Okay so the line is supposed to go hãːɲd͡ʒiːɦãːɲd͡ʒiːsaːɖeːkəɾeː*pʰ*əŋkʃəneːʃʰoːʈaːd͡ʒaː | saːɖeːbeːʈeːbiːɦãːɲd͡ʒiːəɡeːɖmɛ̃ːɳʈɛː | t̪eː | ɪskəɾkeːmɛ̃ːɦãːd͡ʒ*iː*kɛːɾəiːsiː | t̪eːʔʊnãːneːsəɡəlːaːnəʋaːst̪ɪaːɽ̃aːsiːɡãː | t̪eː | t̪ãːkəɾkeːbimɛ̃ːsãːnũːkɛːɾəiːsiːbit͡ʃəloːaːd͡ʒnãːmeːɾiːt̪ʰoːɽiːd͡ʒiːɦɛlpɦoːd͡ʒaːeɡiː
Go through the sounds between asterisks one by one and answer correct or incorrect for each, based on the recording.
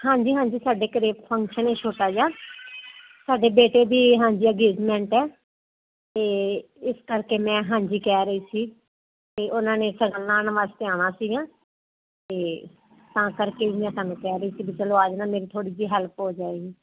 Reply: correct, correct

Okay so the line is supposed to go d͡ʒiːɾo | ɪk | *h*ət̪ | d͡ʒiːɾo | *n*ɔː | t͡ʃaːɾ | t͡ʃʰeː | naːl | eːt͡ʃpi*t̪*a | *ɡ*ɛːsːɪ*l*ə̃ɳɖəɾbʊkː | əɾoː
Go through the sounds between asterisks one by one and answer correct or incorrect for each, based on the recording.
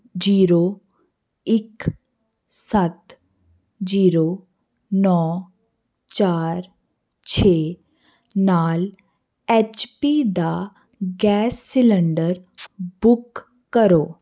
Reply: incorrect, correct, incorrect, correct, correct

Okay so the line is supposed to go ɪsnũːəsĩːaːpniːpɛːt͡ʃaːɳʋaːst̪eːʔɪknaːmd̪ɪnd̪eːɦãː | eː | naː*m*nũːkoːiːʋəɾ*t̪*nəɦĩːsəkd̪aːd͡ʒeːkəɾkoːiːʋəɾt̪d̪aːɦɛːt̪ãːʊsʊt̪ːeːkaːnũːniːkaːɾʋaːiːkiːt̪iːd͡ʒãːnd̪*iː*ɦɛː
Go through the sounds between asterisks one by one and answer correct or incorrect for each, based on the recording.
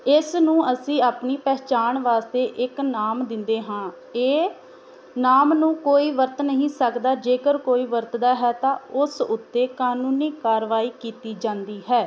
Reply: correct, correct, correct

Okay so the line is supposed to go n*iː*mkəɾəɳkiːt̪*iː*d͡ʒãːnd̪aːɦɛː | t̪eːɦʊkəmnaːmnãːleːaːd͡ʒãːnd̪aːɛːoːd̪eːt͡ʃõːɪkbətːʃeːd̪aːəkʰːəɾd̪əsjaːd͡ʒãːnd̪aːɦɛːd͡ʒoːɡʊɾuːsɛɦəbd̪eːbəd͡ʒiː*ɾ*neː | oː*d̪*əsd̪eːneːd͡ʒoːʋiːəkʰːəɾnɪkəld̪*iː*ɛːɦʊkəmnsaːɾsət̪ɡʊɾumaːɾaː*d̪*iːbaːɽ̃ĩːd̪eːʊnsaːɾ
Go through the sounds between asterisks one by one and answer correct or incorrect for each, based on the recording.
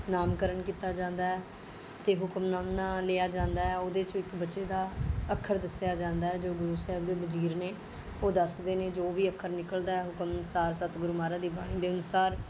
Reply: incorrect, incorrect, correct, correct, incorrect, correct

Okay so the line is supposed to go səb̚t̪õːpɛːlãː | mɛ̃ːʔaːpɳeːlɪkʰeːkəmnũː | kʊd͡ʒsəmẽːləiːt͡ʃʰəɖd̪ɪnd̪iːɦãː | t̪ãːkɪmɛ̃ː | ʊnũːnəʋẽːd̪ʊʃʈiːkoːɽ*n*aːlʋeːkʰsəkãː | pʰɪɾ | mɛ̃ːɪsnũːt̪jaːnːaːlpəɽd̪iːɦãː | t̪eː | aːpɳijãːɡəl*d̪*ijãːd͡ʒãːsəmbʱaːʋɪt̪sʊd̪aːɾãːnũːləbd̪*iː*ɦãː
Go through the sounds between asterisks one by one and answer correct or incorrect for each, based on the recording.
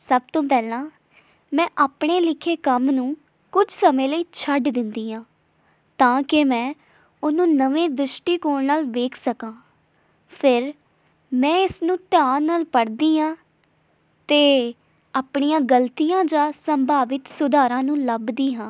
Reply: correct, incorrect, correct

